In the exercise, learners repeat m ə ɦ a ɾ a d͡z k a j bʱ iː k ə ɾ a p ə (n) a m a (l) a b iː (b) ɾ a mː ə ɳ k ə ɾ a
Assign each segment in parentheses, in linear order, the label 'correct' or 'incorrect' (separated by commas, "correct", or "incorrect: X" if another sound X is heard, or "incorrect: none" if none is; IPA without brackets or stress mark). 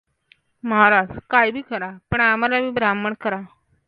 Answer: incorrect: ɳ, correct, correct